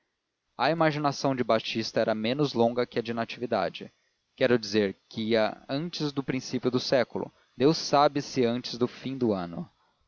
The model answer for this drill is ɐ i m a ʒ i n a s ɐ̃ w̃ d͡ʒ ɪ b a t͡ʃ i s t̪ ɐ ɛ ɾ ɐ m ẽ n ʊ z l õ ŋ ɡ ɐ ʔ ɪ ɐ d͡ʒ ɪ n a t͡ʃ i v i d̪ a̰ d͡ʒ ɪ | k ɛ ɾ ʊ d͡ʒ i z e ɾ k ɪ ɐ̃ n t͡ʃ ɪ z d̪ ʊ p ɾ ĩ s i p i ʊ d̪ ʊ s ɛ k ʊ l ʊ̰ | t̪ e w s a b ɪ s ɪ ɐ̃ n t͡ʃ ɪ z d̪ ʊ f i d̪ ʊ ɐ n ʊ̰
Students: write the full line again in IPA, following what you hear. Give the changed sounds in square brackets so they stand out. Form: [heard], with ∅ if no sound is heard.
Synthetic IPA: ɐ i m a ʒ i n a s ɐ̃ w̃ d͡ʒ ɪ b a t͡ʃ i s t̪ ɐ ɛ ɾ ɐ m ẽ n ʊ z l õ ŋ ɡ ɐ [k] ɪ ɐ d͡ʒ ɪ n a t͡ʃ i v i d̪ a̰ d͡ʒ ɪ | k ɛ ɾ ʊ d͡ʒ i z e ɾ k ɪ ɐ̃ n t͡ʃ ɪ z d̪ ʊ p ɾ ĩ s i p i ʊ d̪ ʊ s ɛ k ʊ l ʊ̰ | [d̪] e w s a b ɪ s ɪ ɐ̃ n t͡ʃ ɪ z d̪ ʊ f [ĩ] d̪ ʊ [ɐ̃] n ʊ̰